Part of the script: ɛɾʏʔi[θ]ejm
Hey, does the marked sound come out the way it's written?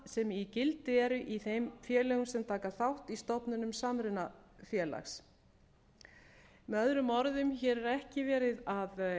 yes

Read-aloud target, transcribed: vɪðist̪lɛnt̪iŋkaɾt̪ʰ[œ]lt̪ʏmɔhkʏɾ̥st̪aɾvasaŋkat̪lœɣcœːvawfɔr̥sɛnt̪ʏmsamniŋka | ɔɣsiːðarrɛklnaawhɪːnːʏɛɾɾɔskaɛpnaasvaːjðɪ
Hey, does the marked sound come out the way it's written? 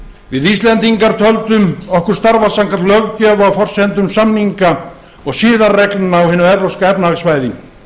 yes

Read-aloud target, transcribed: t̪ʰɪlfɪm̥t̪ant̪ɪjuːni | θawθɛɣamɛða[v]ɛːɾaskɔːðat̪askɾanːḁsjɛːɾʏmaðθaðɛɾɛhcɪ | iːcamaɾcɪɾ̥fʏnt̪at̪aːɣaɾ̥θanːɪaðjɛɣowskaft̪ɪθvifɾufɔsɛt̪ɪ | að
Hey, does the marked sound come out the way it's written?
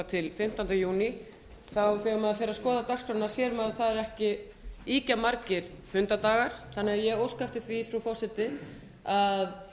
no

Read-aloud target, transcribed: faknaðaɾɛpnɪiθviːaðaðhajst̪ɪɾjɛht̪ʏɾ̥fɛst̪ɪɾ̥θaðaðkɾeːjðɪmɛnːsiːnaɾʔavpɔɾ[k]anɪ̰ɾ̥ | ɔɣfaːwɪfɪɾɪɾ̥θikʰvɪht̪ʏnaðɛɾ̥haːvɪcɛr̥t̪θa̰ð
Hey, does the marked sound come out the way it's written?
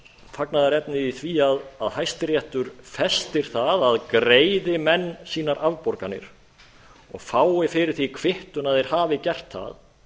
yes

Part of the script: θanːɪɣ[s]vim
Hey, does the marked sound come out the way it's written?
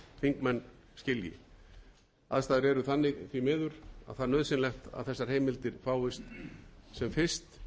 no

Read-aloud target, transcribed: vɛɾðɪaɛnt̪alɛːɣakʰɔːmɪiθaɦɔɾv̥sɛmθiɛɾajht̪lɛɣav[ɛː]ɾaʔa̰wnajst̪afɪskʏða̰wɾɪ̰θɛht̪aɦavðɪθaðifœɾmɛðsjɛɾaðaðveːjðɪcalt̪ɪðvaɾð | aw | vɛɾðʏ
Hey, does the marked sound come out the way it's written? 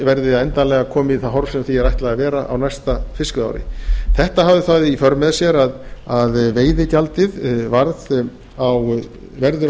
yes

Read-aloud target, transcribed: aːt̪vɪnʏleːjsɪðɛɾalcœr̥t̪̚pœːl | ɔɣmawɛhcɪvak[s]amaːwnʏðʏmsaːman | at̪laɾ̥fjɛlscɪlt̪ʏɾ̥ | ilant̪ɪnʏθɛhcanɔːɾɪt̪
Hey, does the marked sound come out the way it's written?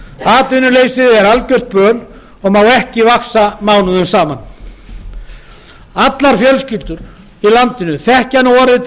yes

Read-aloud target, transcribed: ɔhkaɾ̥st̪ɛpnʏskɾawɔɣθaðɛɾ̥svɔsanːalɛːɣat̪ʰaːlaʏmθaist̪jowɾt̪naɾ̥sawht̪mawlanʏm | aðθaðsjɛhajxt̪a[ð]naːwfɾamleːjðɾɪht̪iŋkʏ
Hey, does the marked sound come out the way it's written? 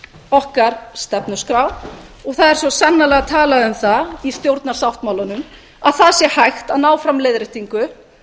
yes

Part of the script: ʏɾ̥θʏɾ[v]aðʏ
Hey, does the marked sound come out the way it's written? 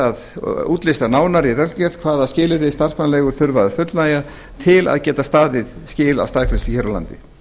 yes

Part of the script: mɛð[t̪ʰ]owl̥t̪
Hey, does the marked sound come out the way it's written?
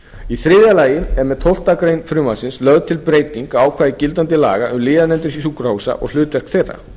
yes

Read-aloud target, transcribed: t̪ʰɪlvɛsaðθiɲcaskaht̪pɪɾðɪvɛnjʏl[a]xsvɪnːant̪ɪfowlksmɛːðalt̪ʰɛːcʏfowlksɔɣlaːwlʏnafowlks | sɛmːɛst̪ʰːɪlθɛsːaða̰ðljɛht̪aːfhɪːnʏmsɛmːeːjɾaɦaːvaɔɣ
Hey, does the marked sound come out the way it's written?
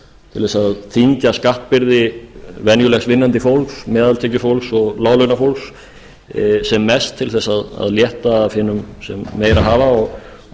no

